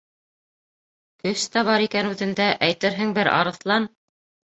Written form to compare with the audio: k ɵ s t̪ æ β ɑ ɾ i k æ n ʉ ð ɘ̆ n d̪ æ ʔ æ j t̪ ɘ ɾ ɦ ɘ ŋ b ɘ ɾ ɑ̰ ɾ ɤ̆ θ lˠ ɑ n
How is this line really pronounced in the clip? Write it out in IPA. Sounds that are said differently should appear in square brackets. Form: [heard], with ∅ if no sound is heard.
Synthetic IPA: k ɵ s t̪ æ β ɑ ɾ i k æ n ʉ ð ɘ̆ n d̪ æ ʔ æ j t̪ ɘ ɾ ɦ ɘ ŋ b ɘ ɾ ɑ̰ ɾ ɤ̆ θ lˠ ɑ n